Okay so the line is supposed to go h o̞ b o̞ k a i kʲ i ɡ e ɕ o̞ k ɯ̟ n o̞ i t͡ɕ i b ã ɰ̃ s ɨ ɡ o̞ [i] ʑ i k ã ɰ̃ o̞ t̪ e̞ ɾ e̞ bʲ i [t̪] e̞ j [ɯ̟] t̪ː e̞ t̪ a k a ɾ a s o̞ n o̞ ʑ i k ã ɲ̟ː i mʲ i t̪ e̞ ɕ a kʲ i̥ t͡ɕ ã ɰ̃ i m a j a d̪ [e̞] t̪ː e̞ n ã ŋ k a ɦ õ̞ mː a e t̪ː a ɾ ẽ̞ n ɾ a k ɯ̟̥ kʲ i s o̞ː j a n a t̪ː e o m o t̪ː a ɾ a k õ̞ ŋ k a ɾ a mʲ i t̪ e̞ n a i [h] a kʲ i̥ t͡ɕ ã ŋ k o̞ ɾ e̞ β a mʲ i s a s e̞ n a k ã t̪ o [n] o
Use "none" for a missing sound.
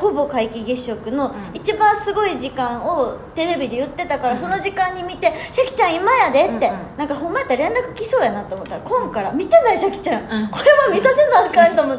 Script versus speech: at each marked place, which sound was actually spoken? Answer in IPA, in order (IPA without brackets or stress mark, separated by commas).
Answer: i, d̪, ɯ̟, e̞, ɕ, m